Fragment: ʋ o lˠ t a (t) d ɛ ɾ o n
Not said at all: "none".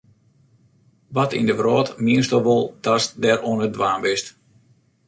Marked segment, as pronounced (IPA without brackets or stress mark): s